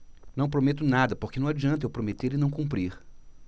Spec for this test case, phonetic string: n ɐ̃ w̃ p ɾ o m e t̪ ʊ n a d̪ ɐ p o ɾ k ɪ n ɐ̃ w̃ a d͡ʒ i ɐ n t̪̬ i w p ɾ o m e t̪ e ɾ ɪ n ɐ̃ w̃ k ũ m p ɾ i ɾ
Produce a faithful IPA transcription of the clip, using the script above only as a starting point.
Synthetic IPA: n ɐ̃ w̃ p ɾ o m e t̪ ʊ n a d̪ ɐ p o ɾ k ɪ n ɐ̃ w̃ a d͡ʒ i ɐ̃ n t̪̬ e w p ɾ o m e t̪ e ɾ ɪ n ɐ̃ w̃ k ũ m p ɾ i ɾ